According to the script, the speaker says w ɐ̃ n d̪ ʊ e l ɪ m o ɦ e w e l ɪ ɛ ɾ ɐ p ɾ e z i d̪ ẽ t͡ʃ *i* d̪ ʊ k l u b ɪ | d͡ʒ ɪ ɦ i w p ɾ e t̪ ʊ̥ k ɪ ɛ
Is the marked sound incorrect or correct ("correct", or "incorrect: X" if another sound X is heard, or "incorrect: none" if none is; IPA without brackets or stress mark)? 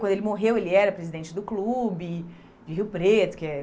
incorrect: ɪ